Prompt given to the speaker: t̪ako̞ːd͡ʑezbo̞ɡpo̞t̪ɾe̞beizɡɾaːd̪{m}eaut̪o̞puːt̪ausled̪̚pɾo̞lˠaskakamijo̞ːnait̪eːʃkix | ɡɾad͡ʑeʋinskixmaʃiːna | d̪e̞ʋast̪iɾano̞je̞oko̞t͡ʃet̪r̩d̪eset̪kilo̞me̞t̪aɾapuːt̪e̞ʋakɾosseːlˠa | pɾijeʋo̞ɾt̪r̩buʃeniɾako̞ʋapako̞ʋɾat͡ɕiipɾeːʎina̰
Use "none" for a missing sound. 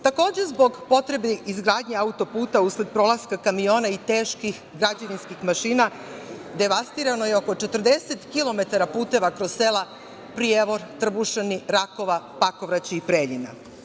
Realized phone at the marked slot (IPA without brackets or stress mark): ɲ